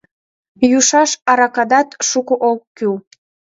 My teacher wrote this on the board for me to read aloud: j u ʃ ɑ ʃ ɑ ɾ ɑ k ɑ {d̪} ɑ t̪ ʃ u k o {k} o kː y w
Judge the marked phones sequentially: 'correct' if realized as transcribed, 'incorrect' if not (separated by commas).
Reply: correct, incorrect